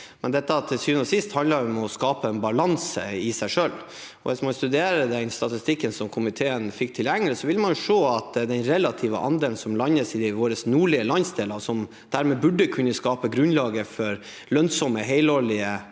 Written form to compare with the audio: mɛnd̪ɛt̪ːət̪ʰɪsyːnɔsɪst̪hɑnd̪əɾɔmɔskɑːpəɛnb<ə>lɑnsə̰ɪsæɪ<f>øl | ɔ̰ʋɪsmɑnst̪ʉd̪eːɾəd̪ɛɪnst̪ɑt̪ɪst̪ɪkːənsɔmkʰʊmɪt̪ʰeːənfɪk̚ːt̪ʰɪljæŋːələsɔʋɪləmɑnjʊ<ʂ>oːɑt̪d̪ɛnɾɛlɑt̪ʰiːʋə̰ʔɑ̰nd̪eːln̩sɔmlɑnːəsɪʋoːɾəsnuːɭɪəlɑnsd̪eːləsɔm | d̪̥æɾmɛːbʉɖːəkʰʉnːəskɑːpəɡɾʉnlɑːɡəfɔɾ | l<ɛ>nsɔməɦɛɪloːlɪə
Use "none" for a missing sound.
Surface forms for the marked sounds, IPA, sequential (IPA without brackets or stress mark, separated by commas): ɑ, ʂ, ʂ, œ